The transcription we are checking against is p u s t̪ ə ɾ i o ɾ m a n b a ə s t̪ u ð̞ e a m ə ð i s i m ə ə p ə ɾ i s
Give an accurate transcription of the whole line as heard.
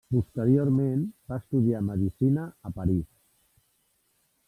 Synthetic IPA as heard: p u s t̪ ə ɾ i o ɾ m e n b a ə s t̪ u ð̞ i a m ə ð i s i n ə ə p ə ɾ i s